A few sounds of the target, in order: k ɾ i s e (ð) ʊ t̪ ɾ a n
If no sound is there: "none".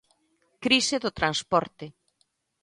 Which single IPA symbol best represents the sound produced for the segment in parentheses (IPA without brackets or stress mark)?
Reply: ð